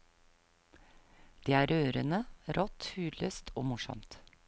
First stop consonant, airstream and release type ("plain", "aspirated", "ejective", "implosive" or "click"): plain